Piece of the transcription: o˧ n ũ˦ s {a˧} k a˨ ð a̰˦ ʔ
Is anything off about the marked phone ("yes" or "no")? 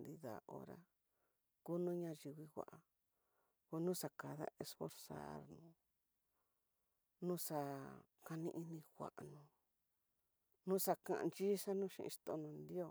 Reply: no